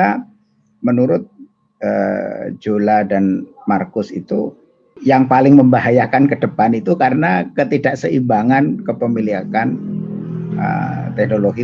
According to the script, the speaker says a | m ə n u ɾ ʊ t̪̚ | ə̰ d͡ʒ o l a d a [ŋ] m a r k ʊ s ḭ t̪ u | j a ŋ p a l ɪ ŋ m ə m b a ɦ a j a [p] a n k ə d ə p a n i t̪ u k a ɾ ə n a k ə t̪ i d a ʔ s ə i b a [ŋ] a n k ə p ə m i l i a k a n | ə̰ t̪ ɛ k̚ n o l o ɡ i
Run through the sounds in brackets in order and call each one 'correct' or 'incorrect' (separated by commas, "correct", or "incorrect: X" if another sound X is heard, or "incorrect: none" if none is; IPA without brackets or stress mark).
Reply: incorrect: n, incorrect: k, correct